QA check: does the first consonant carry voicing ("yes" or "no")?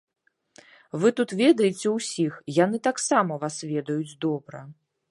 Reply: yes